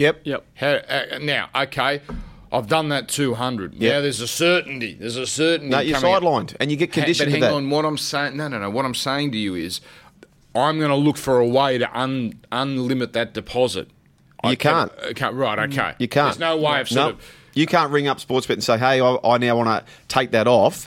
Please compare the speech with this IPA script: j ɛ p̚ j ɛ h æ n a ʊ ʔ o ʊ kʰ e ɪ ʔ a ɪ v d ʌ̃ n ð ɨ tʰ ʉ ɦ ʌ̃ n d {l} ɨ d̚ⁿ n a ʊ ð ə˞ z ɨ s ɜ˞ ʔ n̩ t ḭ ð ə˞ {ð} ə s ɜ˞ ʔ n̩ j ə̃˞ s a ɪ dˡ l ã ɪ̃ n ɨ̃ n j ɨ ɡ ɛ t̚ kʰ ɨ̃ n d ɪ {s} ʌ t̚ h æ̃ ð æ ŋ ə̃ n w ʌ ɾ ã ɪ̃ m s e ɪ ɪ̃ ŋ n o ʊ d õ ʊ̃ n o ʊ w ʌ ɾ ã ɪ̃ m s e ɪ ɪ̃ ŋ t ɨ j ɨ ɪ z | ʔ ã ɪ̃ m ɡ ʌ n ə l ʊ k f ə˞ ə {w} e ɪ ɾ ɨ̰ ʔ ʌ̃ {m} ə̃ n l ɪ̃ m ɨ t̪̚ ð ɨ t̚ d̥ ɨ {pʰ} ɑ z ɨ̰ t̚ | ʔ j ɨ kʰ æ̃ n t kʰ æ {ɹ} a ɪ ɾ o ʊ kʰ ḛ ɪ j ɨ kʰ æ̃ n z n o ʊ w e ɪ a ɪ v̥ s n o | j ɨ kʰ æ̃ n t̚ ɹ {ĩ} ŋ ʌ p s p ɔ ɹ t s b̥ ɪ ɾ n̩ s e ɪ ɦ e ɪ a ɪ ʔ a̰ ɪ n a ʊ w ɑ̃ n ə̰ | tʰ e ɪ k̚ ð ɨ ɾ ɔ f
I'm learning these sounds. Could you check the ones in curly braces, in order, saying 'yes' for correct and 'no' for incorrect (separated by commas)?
no, no, no, yes, no, yes, yes, no